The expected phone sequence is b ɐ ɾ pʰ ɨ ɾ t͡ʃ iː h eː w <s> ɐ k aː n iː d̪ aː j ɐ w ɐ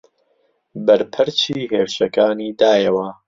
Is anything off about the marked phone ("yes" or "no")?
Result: yes